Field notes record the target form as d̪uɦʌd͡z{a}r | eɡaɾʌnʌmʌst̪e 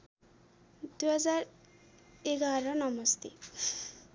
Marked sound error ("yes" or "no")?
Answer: no